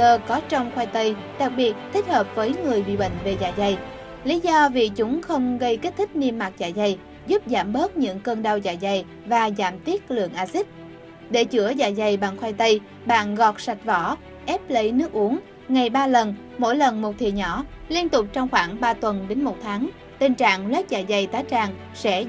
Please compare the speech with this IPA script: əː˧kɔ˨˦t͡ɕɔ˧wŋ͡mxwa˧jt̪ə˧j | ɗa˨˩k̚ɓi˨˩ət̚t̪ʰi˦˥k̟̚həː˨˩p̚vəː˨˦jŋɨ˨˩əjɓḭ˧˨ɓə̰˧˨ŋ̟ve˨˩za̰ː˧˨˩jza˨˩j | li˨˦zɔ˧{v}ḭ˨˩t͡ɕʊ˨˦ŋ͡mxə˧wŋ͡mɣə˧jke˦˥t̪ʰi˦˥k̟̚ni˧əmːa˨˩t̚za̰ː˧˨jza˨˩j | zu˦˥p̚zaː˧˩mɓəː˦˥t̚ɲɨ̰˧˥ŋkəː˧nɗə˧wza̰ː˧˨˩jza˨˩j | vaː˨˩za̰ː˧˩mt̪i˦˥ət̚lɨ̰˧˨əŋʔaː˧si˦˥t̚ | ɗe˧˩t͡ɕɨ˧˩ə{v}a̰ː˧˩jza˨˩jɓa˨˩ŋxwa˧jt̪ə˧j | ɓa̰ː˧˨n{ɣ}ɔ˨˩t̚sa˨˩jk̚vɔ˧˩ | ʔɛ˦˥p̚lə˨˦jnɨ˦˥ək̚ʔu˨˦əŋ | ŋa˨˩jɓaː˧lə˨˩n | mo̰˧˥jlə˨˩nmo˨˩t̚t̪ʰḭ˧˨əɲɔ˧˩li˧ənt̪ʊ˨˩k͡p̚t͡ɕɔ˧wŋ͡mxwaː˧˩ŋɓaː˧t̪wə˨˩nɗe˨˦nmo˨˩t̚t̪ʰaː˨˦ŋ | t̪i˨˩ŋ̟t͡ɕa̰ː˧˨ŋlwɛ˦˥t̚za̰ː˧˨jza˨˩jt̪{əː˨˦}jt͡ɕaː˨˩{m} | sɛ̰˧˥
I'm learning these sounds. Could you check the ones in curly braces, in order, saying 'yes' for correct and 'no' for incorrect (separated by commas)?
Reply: yes, no, yes, no, no